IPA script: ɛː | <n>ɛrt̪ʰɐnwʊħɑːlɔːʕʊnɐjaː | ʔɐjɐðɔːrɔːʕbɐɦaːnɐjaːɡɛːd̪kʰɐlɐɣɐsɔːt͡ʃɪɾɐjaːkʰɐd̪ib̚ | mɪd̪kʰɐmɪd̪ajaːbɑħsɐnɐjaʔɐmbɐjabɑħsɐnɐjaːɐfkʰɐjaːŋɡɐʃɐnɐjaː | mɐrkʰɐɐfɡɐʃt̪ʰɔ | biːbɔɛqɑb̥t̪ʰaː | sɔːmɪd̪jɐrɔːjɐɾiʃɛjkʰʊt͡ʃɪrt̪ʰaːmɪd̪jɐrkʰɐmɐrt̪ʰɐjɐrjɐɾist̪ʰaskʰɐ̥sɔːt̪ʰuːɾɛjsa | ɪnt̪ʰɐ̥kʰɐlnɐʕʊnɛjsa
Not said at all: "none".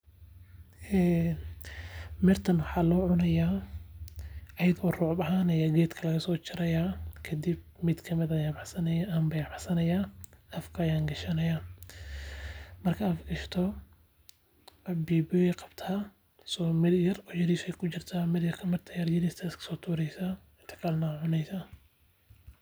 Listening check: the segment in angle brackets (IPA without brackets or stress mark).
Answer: m